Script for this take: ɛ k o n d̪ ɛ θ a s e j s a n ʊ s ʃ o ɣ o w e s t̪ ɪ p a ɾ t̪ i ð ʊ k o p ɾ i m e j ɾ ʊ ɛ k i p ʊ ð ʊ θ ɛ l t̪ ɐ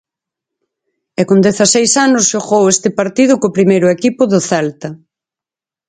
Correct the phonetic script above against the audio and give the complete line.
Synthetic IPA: ɛ k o n d̪ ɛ θ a s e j s a n ʊ s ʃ o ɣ o w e s t̪ ɪ p a ɾ t̪ i ð ʊ k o p ɾ i m e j ɾ ʊ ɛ k i p ʊ ð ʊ θ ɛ l t̪ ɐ